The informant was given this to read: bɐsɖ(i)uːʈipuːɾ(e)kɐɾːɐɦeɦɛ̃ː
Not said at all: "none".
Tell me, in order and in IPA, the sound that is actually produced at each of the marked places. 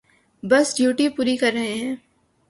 j, i

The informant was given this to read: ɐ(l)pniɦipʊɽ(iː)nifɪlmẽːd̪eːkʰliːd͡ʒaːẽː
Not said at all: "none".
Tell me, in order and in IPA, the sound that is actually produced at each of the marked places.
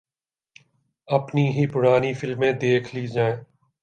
none, aː

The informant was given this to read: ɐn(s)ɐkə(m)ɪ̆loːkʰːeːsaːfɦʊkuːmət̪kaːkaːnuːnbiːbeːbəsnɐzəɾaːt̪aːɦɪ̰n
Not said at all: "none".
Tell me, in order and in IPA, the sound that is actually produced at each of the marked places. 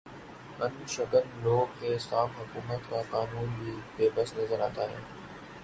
ʃ, n

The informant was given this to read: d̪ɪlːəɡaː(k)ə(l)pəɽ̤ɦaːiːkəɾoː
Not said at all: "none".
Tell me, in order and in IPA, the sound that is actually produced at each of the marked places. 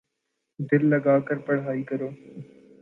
k, ɾ

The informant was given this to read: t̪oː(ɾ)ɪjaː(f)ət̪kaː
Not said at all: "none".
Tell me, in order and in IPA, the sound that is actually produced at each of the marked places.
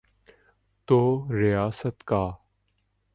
ɾ, s

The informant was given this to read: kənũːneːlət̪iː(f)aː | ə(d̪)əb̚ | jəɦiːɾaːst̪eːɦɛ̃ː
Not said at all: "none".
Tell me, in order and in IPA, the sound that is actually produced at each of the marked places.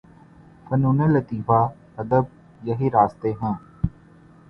f, d̪

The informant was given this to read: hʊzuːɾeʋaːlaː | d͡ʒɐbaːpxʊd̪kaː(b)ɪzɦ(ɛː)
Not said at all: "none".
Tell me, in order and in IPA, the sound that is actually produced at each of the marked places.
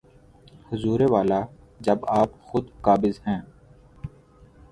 b, ɛ̃ː

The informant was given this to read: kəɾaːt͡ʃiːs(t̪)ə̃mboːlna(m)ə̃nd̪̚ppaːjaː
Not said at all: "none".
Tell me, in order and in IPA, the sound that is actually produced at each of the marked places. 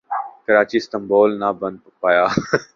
t̪, b

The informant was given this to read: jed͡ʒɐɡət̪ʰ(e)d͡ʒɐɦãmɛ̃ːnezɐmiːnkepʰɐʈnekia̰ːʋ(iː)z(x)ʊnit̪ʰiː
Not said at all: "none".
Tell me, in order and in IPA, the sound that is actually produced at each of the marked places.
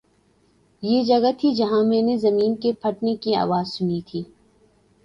i, aː, s

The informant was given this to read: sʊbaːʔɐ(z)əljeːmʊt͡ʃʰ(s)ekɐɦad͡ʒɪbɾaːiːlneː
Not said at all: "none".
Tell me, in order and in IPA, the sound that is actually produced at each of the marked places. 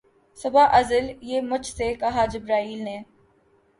z, s

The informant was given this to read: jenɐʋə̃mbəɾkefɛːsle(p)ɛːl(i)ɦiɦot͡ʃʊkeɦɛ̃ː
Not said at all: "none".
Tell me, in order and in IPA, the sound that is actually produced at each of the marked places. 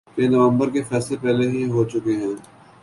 p, e

